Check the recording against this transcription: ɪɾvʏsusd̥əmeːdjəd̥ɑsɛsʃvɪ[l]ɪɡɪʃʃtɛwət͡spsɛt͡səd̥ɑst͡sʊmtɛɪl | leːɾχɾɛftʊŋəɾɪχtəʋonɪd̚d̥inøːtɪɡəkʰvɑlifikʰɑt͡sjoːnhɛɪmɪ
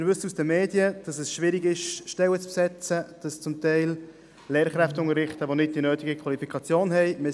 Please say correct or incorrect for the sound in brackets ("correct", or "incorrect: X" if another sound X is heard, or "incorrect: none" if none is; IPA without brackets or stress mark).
incorrect: ɾ